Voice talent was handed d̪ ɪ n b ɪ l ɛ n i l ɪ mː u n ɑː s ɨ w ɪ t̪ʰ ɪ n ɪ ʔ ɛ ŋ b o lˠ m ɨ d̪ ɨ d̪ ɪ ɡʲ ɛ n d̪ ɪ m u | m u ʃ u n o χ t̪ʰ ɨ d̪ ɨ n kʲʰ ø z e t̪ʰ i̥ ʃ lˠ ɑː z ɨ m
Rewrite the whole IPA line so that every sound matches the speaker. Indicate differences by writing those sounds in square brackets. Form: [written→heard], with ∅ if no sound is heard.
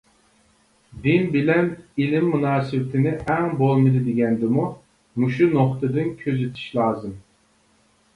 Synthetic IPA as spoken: d̪ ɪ n b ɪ l ɛ n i l ɪ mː u n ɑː s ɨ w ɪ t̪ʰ ɪ n ɪ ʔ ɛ ŋ b o lˠ m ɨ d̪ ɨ d̪ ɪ ɡʲ ɛ n d̪ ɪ m u | m u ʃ u n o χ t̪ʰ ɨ d̪ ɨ n kʲʰ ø z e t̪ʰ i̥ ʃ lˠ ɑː z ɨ m